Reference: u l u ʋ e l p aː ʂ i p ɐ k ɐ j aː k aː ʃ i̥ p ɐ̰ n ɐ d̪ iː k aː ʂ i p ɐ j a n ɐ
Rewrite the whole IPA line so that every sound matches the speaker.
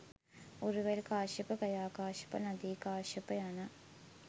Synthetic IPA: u ɾ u ʋ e l k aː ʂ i p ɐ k ɐ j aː k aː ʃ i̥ p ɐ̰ n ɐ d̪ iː k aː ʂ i p ɐ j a n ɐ